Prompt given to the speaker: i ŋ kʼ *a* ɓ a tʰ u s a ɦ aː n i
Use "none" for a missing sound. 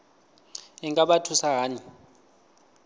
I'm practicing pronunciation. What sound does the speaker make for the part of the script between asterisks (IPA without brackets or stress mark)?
a